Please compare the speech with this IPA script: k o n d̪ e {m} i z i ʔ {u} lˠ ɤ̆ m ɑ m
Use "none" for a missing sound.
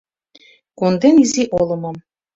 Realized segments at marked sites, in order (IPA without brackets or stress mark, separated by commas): n, o